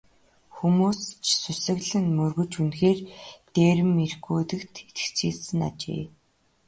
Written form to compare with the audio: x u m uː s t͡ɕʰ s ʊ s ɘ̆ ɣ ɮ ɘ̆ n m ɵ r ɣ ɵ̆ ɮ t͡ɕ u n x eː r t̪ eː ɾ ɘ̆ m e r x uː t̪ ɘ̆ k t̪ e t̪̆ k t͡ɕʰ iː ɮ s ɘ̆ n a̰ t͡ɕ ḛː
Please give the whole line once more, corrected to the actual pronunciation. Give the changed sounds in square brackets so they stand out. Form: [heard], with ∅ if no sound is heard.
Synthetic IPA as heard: x u m uː s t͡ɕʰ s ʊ s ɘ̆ ɣ ɮ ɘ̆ n m ɵ r ɣ ɵ̆ [∅] t͡ɕ u n x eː r t̪ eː ɾ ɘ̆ m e r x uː t̪ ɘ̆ k t̪ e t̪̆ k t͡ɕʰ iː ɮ s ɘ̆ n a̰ t͡ɕ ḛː